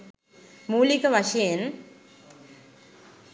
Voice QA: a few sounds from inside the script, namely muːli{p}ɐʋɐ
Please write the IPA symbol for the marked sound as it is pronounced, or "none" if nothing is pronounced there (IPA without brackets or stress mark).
k